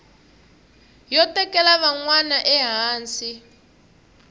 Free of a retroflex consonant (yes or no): yes